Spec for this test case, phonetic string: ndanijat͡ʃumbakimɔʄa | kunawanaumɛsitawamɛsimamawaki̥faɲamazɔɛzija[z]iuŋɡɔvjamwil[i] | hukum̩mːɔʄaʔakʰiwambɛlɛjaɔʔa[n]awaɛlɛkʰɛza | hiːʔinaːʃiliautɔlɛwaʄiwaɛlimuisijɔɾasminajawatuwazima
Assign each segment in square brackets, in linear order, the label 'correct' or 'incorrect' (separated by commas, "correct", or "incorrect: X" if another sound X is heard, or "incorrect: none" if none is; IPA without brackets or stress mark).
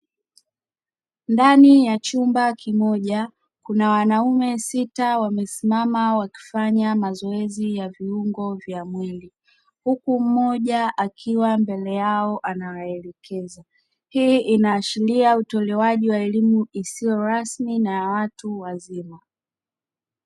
incorrect: v, correct, correct